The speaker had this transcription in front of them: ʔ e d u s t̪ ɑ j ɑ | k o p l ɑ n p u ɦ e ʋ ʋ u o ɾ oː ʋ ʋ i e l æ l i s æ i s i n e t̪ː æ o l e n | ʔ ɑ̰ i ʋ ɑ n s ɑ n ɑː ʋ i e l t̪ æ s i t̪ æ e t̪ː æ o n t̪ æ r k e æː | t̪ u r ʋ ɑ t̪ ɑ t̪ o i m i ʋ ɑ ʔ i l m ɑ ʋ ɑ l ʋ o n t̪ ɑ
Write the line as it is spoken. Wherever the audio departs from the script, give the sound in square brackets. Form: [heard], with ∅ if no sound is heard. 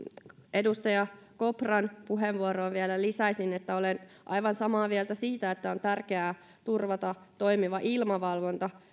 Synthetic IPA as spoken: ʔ e d u s t̪ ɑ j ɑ | k o p [r] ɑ n p u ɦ e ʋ ʋ u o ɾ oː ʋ ʋ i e l æ l i s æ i s i n e t̪ː æ o l e n | ʔ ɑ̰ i ʋ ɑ n s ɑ [m] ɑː ʋ i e l t̪ æ s [iː] t̪ æ e t̪ː æ o n t̪ æ r k e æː | t̪ u r ʋ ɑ t̪ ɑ t̪ o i m i ʋ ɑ ʔ i l m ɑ ʋ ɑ l ʋ o n t̪ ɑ

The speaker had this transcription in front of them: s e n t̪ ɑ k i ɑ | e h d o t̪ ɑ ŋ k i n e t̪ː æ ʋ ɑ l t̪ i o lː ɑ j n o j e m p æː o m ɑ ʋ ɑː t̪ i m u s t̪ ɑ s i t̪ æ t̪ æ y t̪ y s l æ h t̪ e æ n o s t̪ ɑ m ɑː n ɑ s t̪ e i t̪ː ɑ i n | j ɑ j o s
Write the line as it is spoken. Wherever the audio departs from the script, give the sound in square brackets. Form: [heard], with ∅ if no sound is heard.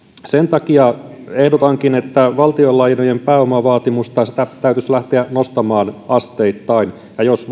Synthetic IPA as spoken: s e n t̪ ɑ k i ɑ | e h d o t̪ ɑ ŋ k i n e t̪ː æ ʋ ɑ l t̪ i o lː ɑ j n o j e m p æː o m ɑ ʋ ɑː t̪ i m u s t̪ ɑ s i t̪ æ t̪ æ y t̪ y s l æ h t̪ e æ n o s t̪ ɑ m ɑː n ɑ s t̪ e i t̪ː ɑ i n | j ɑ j o s

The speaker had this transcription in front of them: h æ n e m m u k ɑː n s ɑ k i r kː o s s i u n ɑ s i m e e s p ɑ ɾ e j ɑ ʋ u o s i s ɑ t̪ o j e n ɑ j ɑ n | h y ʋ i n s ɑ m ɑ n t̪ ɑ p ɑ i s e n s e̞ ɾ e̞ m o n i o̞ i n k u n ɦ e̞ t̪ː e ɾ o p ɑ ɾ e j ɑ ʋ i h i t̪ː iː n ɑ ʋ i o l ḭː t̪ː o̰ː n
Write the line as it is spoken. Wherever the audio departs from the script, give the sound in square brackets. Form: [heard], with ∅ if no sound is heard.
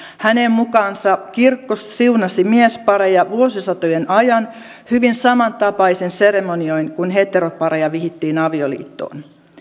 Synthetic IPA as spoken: h æ n e m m u k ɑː n s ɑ k i r kː o s s i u n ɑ s i m [i] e s p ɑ ɾ e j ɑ ʋ u o s i s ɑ t̪ o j e n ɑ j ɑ n | h y ʋ i n s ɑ m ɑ n t̪ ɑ p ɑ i s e n s e̞ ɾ e̞ m o n i o̞ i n k u n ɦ e̞ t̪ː e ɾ o p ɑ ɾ e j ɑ ʋ i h i t̪ː iː n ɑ ʋ i o l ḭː t̪ː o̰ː n

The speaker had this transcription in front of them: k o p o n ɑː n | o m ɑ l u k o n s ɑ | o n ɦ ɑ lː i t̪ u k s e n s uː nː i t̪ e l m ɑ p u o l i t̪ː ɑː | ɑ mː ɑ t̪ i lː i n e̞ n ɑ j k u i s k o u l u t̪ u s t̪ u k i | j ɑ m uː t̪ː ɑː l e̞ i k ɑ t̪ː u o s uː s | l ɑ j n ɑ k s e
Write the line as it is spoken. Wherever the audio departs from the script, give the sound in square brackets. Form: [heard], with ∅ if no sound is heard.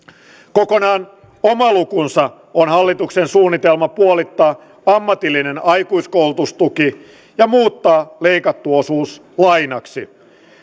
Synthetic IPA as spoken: k o [k] o n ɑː n | o m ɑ l u k [u] n s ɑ | o n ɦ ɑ lː i t̪ u k s e n s uː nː i t̪ e l m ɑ p u o l i t̪ː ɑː | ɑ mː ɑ t̪ i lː i n e̞ n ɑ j k u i s k o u l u t̪ u s t̪ u k i | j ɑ m uː t̪ː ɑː l e̞ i k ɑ t̪ː u o s uː s | l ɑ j n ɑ k s [i]

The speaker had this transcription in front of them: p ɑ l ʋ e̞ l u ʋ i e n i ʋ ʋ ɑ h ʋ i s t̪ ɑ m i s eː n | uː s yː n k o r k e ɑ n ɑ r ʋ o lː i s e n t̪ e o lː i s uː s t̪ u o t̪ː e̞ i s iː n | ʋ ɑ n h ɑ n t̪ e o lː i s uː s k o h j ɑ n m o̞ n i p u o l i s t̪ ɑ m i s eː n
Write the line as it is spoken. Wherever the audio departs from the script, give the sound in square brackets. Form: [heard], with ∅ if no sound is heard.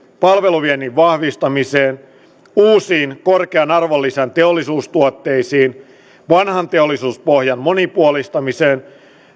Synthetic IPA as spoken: p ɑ l ʋ e̞ l u ʋ i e n i ʋ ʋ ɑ h ʋ i s t̪ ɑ m i s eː n | uː s [iː] n k o r k e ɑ n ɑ r ʋ o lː i s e n t̪ e o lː i s uː s t̪ u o t̪ː e̞ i s iː n | ʋ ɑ n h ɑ n t̪ e o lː i s uː s [p] o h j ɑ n m o̞ n i p u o l i s t̪ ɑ m i s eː n

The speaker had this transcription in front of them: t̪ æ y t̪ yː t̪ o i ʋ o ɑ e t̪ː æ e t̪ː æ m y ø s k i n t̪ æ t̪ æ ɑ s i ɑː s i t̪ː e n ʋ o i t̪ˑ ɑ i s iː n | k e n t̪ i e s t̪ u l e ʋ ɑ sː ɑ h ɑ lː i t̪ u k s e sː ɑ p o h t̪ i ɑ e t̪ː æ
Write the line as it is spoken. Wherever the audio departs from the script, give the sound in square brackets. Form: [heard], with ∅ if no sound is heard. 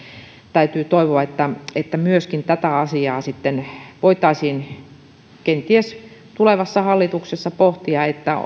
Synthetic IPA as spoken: t̪ æ y t̪ yː t̪ o i ʋ o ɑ e t̪ː æ e t̪ː æ m y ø s k i n t̪ æ t̪ æ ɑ s i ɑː s i t̪ː e n ʋ o i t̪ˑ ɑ i s iː n | k e n t̪ i e s t̪ u l e ʋ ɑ sː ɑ h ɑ lː i t̪ u k s e sː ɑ p o h t̪ i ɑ e t̪ː æ

